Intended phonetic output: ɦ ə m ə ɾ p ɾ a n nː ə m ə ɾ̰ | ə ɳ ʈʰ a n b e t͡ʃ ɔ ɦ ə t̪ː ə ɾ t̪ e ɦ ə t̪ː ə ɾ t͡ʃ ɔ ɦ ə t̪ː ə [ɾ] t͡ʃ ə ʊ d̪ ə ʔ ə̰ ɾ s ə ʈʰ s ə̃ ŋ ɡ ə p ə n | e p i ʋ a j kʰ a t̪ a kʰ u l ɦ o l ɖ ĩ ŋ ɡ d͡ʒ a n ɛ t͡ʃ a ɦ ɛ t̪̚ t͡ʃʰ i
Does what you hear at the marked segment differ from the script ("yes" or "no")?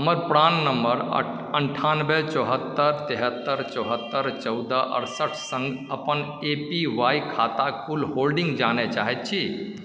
no